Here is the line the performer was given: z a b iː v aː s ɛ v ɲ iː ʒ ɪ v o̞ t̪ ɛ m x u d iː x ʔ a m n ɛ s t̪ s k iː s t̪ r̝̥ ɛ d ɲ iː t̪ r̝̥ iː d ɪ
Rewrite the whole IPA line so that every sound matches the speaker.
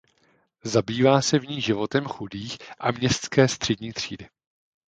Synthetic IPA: z a b iː v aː s ɛ v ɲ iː ʒ ɪ v o̞ t̪ ɛ m x u d iː x ʔ a m ɲ ɛ s t̪ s k ɛː s t̪ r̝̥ ɛ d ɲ iː t̪ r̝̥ iː d ɪ